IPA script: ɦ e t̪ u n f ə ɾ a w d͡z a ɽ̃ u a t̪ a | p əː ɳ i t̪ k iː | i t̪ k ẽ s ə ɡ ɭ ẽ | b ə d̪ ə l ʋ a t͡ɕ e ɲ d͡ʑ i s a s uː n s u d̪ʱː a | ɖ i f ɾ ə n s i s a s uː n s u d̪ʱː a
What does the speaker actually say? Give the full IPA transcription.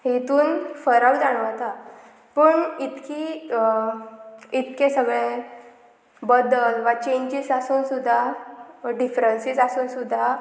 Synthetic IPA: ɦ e t̪ uː n f ə ɾ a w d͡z a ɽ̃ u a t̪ a | p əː ɳ i t̪ k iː | i t̪ k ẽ s ə ɡ ɭ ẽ | b ə d̪ ə l ʋ a t͡ɕ e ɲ d͡ʑ i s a s uː n s u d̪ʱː a | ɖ i f ɾ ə n s i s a s uː n s u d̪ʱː a